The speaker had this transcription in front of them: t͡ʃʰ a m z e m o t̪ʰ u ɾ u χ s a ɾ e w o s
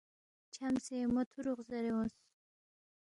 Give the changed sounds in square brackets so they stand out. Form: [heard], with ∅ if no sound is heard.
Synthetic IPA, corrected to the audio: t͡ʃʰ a m [s] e m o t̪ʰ u ɾ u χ [z] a ɾ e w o s

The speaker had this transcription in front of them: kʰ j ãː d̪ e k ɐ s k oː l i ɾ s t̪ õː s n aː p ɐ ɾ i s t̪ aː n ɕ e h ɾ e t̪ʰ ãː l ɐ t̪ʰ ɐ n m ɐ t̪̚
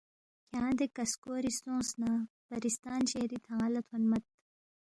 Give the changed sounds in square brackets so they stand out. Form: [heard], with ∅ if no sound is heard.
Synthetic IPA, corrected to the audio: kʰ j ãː d̪ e k ɐ s k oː [ɾ] i [∅] s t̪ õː s n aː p ɐ ɾ i s t̪ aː n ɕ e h ɾ [i] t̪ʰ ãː l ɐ t̪ʰ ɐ n m ɐ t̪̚

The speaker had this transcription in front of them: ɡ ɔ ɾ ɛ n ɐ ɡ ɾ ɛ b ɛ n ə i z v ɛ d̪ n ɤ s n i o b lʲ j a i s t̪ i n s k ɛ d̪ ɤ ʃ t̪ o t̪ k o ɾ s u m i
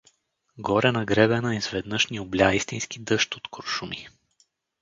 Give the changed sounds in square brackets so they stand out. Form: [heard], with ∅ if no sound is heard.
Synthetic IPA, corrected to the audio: ɡ ɔ ɾ ɛ n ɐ ɡ ɾ ɛ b ɛ n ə i z v ɛ d̪ n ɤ [ʃ] n i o b lʲ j a i s t̪ i n s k [i] d̪ ɤ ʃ t̪ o t̪ k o ɾ [ʃ] u m i

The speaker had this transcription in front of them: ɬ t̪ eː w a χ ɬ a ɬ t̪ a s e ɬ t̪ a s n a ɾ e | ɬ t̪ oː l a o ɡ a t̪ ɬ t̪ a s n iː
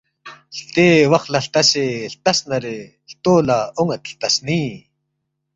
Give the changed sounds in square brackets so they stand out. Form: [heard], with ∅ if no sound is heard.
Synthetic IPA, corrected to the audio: ɬ t̪ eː w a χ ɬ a ɬ t̪ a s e ɬ t̪ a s n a ɾ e | ɬ t̪ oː l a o [ŋ] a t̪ ɬ t̪ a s n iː

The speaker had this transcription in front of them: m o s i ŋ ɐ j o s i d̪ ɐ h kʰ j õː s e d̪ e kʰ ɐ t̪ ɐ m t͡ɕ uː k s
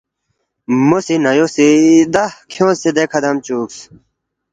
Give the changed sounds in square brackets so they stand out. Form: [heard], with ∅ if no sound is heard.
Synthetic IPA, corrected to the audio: m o s i [n] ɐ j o s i d̪ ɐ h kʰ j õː s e d̪ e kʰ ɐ [d̪] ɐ m t͡ɕ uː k s

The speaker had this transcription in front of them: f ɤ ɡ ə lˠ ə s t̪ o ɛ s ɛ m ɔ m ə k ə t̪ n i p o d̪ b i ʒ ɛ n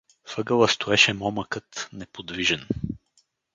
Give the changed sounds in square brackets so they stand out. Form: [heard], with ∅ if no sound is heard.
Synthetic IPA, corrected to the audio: f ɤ ɡ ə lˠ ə s t̪ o ɛ [ʃ] ɛ m ɔ m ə k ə t̪ n [ɛ] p o d̪ [v] i ʒ ɛ n

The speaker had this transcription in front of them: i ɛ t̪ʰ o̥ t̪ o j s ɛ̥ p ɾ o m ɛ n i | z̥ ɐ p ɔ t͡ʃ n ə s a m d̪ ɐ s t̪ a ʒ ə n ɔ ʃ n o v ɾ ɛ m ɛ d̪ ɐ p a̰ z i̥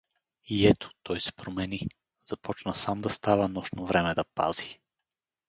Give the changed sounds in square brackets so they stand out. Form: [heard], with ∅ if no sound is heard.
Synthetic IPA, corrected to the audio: i ɛ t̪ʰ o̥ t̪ [ɔ] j s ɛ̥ p ɾ o m ɛ n i | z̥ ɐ p ɔ t͡ʃ n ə s a m d̪ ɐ s t̪ a [v] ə n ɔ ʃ n o v ɾ ɛ m ɛ d̪ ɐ p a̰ z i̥

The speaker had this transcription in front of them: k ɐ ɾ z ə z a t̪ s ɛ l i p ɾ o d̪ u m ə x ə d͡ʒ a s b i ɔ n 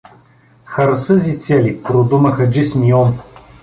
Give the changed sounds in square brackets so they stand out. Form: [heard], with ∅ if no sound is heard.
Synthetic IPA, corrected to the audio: [x] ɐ ɾ [s] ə z [i] t̪ s ɛ l i p ɾ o d̪ u m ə x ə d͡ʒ [i] s [m] i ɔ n

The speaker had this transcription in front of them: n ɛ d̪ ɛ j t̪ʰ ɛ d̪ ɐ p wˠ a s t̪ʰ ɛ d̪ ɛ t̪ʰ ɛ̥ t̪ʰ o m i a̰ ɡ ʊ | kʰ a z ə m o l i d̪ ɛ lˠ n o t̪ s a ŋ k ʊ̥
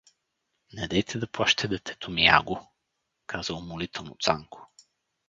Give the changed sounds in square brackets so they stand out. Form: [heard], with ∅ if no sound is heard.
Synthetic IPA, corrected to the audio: n ɛ d̪ ɛ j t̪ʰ ɛ d̪ ɐ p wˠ a [ʃ] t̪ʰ ɛ d̪ ɛ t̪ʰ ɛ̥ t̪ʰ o m i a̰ ɡ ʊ | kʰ a z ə m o l i [t̪] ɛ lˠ n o t̪ s a ŋ k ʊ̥

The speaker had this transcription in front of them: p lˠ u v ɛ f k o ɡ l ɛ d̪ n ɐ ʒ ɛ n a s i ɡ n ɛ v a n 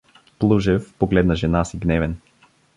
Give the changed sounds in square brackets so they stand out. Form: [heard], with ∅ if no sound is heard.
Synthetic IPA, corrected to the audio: p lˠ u [ʒ] ɛ f [p] o ɡ l ɛ d̪ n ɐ ʒ ɛ n a s i ɡ n ɛ v [ɛ] n

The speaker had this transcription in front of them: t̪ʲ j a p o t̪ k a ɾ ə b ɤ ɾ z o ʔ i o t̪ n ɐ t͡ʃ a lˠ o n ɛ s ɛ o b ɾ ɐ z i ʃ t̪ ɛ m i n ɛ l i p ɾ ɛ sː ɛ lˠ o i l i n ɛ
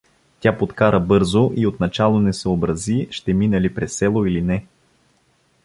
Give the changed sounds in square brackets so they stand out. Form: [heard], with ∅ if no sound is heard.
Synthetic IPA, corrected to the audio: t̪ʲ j a p o t̪ k a ɾ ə b ɤ ɾ z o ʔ i o t̪ n ɐ t͡ʃ a lˠ o n ɛ s ɛ o b ɾ ɐ z i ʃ t̪ ɛ m i n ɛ l i p ɾ ɛ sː ɛ lˠ o i l i n ɛ

